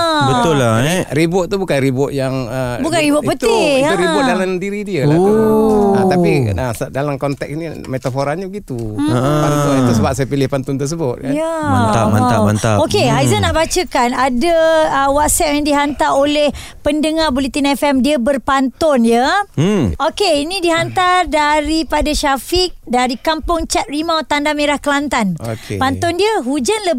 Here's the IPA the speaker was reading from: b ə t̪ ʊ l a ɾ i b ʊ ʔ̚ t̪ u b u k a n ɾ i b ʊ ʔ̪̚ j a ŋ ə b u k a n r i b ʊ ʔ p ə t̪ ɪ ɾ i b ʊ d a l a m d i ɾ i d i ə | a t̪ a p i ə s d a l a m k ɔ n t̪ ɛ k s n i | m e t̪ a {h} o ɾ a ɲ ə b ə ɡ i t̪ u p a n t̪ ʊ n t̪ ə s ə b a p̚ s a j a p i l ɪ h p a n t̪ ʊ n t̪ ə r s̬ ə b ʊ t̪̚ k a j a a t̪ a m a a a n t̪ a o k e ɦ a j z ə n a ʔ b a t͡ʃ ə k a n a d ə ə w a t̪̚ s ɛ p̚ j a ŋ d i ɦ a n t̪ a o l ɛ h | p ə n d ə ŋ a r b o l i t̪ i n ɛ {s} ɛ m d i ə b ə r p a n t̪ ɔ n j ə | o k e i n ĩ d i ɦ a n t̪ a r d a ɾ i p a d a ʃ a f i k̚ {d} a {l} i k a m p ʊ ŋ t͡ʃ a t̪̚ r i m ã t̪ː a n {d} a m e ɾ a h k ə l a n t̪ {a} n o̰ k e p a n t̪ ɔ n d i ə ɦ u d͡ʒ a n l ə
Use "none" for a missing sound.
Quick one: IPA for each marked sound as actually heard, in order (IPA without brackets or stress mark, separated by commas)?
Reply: f, f, d, ɾ, d, a